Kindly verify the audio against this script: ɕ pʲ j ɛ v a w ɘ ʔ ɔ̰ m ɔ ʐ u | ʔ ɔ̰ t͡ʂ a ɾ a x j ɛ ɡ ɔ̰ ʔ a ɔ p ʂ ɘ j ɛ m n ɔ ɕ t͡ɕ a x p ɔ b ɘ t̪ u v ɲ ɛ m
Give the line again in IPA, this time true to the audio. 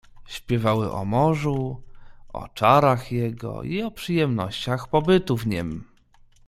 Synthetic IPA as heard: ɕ pʲ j ɛ v a w ɘ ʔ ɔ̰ m ɔ ʐ u | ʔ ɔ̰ t͡ʂ a ɾ a x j ɛ ɡ ɔ̰ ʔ i ɔ p ʂ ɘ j ɛ m n ɔ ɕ t͡ɕ a x p ɔ b ɘ t̪ u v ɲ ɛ m